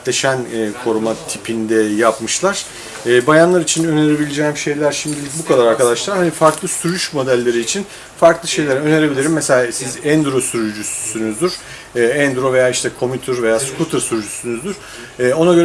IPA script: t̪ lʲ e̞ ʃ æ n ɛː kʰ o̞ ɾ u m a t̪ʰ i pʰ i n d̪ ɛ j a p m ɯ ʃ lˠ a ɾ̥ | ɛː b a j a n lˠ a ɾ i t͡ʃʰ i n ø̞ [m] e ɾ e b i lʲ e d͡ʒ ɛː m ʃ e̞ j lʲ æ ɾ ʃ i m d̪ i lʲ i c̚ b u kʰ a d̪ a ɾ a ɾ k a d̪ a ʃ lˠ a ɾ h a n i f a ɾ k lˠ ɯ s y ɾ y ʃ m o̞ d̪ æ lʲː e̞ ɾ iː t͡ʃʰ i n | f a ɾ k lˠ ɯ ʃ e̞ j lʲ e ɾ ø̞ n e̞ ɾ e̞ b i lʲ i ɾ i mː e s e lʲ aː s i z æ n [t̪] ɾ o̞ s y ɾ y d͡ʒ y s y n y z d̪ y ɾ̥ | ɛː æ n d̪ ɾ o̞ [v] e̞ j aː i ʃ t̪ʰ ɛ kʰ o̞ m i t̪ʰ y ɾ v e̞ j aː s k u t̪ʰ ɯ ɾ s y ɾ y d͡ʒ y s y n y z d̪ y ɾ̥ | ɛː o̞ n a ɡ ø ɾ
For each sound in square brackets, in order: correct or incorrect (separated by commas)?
incorrect, incorrect, correct